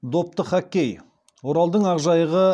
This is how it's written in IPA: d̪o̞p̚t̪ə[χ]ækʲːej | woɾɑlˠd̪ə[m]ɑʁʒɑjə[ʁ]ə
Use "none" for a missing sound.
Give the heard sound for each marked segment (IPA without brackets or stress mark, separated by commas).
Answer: χ, ɴ, ʁ